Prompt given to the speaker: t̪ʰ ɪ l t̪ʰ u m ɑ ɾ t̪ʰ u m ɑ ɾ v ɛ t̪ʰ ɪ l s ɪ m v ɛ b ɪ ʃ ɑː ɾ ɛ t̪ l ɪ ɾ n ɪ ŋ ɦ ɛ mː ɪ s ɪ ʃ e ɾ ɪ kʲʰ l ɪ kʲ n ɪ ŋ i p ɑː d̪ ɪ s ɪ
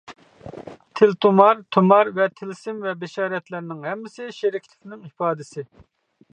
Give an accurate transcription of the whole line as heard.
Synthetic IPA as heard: t̪ʰ ɪ l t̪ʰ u m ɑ ɾ t̪ʰ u m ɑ ɾ v ɛ t̪ʰ ɪ l s ɪ m v ɛ b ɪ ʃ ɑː ɾ ɛ t̪ l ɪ ɾ n ɪ ŋ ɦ ɛ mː ɪ s ɪ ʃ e ɾ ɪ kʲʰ l ɪ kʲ n ɪ ŋ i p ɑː d̪ ɪ s ɪ